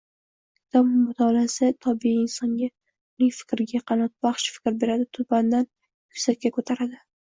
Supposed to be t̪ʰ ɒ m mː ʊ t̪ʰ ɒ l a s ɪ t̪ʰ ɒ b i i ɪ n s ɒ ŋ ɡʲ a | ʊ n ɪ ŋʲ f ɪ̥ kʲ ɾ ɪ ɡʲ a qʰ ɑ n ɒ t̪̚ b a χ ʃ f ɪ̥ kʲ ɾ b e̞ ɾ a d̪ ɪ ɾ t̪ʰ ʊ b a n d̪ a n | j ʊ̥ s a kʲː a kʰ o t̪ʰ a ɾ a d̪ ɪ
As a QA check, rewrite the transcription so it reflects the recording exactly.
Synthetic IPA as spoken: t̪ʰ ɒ m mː ʊ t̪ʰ ɒ l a s ɪ t̪ʰ ɒ b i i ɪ n s ɒ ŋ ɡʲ a | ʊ n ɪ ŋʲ f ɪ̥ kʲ ɾ ɪ ɡʲ a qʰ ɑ n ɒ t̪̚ b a χ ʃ f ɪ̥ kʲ ɾ b e̞ ɾ a d̪ ɪ t̪ʰ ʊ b a n d̪ a n | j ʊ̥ s a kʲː a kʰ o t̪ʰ a ɾ a d̪ ɪ